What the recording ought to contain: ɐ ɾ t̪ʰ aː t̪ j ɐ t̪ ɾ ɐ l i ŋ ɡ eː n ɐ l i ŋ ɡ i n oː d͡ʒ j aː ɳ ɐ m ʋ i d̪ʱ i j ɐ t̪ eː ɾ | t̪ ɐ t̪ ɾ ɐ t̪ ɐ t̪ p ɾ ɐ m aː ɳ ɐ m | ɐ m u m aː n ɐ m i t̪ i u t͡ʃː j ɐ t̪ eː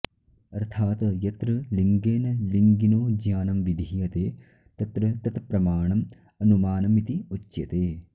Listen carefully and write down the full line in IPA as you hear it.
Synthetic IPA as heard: ɐ ɾ t̪ʰ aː t̪ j ɐ t̪ ɾ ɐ l i ŋ ɡ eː n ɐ l i ŋ ɡ i n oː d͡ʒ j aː n ɐ m ʋ i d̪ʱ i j ɐ t̪ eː | t̪ ɐ t̪ ɾ ɐ t̪ ɐ t̪ p ɾ ɐ m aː ɳ ɐ m | ɐ n u m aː n ɐ m i t̪ i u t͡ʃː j ɐ t̪ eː

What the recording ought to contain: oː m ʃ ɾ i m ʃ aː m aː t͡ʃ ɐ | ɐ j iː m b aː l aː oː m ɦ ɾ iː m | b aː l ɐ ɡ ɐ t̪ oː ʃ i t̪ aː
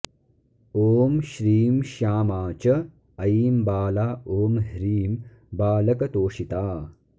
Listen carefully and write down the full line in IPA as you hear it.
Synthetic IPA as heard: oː m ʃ ɾ iː m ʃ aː m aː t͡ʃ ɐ | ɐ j iː m b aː l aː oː m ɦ ɾ iː m | b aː l ɐ k ɐ t̪ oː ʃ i t̪ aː

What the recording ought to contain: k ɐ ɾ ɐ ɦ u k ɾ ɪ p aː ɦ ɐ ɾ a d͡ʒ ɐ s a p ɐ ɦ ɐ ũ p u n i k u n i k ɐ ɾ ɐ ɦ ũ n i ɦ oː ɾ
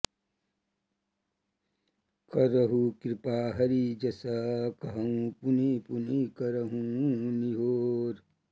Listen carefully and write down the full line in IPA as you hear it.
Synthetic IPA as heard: k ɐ ɾ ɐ ɦ u k ɾ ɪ p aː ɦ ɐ ɾ i d͡ʒ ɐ s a k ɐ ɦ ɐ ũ p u n i p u n i k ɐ ɾ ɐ ɦ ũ n i ɦ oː ɾ

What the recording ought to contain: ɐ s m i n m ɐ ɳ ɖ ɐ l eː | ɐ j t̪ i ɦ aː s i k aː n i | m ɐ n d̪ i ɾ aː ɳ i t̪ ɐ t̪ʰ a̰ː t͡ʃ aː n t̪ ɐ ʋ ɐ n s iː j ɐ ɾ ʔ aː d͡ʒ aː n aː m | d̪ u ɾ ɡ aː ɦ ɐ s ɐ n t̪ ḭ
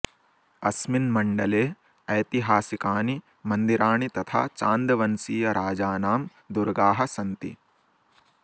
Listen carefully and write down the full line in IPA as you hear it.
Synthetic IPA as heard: ɐ s m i n m ɐ ɳ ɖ ɐ l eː | ɐ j t̪ i ɦ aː s i k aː n i | m ɐ n d̪ i ɾ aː ɳ i t̪ ɐ t̪ʰ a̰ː t͡ʃ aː n d̪ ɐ ʋ ɐ n s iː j ɐ ɾ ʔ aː d͡ʒ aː n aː m | d̪ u ɾ ɡ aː ɦ ɐ s ɐ n t̪ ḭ

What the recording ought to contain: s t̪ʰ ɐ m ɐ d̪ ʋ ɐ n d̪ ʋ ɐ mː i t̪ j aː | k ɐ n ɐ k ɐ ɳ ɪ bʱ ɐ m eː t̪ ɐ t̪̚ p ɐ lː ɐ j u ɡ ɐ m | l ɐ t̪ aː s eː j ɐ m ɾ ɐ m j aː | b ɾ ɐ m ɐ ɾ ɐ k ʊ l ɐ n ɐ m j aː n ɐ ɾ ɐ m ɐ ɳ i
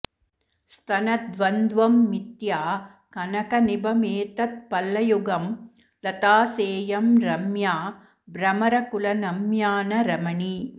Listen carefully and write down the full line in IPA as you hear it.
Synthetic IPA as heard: s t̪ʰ ɐ n ɐ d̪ ʋ ɐ n d̪ ʋ ɐ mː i t̪ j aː | k ɐ n ɐ k ɐ n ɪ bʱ ɐ m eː t̪ ɐ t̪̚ p ɐ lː ɐ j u ɡ ɐ m | l ɐ t̪ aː s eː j ɐ m ɾ ɐ m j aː | b ɾ ɐ m ɐ ɾ ɐ k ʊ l ɐ n ɐ m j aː n ɐ ɾ ɐ m ɐ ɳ i

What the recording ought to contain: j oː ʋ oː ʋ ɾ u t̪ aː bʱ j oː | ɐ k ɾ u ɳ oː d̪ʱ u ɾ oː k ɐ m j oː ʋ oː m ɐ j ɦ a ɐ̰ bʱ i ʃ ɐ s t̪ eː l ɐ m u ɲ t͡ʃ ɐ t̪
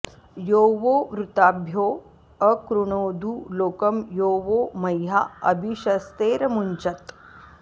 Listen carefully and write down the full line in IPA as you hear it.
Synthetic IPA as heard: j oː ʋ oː ʋ ɾ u t̪ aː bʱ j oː | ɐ k ɾ u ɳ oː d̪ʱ u l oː k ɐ m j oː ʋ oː m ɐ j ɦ a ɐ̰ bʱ i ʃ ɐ s t̪ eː ɾ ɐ m u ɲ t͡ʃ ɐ t̪

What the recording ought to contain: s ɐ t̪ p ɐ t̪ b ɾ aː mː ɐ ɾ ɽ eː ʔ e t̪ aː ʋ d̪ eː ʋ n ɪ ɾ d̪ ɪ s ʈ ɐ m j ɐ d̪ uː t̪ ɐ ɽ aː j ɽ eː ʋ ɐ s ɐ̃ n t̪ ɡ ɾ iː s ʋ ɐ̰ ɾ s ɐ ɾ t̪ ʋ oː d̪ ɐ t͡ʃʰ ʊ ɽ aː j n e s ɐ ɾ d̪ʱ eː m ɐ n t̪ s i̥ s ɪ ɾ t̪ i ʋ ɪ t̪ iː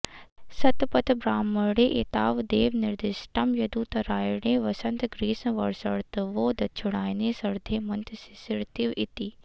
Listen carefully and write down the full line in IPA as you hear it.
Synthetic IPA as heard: s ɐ t̪ p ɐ t̪ b ɾ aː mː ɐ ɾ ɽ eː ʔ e t̪ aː ʋ d̪ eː ʋ n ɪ ɾ d̪ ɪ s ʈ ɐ m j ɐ d̪ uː t̪ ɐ ɾ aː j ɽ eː ʋ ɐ s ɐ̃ n t̪ ɡ ɾ iː s ʋ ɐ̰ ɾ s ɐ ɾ t̪ ʋ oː d̪ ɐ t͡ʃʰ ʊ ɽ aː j n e s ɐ ɾ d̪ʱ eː m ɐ n t̪ s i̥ s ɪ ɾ t̪ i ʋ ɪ t̪ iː

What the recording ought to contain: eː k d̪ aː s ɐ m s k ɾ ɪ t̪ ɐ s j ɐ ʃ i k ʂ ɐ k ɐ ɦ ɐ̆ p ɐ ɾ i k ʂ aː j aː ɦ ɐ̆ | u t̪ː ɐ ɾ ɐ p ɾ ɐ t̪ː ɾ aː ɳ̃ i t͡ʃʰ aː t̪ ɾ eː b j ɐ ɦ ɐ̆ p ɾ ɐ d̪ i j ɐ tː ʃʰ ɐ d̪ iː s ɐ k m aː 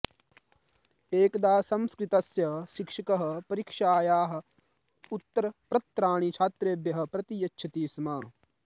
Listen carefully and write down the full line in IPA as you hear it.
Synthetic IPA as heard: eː k d̪ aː s ɐ m s k ɾ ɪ t̪ ɐ s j ɐ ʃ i k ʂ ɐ k ɐ ɦ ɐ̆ p ɐ ɾ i k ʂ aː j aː ɦ ɐ̆ | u t̪ː ɐ ɾ ɐ p ɾ ɐ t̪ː ɾ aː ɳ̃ i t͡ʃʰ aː t̪ ɾ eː b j ɐ ɦ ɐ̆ p ɾ ɐ t̪ i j ɐ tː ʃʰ ɐ t̪ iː s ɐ m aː

